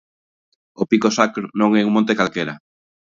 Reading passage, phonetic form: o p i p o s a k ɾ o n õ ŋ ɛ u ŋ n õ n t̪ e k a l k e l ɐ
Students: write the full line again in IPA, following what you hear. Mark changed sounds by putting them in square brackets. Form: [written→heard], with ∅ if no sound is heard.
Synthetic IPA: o p i [p→k] o s a k ɾ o n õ ŋ ɛ u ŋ [n→m] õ n t̪ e k a l k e [l→ɾ] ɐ